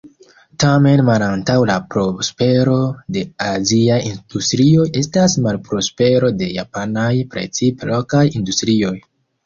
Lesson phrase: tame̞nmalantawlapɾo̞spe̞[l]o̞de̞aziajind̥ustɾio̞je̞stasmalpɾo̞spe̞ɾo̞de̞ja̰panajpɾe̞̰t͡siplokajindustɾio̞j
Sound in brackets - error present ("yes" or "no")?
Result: yes